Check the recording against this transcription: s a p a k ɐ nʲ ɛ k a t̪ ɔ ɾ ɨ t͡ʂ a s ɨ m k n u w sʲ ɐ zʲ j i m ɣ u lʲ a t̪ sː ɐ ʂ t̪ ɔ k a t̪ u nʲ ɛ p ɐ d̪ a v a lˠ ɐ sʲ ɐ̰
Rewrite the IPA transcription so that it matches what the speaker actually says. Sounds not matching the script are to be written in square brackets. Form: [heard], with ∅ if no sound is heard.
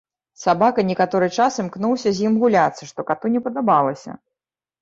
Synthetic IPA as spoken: s a [b] a k ɐ nʲ ɛ k a t̪ ɔ ɾ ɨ t͡ʂ a s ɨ m k n u w sʲ ɐ zʲ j i m ɣ u lʲ a t̪ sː ɐ ʂ t̪ ɔ k a t̪ u nʲ ɛ p ɐ d̪ a [b] a lˠ ɐ sʲ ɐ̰